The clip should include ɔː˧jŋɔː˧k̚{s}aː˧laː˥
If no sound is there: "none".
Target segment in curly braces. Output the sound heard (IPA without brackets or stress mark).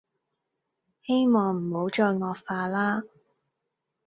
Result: f